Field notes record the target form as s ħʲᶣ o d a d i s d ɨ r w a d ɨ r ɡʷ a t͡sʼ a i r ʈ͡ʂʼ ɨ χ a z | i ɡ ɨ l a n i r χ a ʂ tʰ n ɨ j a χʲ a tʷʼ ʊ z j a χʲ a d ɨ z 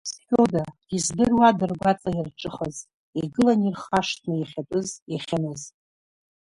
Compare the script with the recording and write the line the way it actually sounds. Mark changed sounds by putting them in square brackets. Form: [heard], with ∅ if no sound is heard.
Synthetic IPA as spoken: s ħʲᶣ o d a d i [z] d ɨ r w a d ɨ r ɡʷ a t͡sʼ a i r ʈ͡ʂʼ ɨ χ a z | i ɡ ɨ l a n i r χ a ʂ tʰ n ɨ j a χʲ a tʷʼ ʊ z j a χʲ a [n] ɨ z